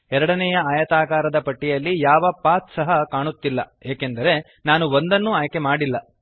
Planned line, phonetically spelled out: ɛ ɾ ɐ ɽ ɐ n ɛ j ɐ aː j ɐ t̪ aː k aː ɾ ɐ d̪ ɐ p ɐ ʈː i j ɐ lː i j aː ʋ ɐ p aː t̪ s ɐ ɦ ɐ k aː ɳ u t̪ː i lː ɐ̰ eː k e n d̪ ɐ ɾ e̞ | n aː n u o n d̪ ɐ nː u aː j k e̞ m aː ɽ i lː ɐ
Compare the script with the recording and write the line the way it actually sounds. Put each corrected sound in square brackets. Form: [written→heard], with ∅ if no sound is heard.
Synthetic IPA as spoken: ɛ ɾ ɐ ɽ ɐ n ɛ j ɐ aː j ɐ t̪ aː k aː ɾ ɐ d̪ ɐ p ɐ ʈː i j ɐ lː i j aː ʋ ɐ p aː t̪ s ɐ ɦ ɐ k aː ɳ u t̪ː i lː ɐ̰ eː k e n d̪ ɐ ɾ e̞ | n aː n u o n d̪ ɐ nː u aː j k e̞ m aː ɽ i lː ɐ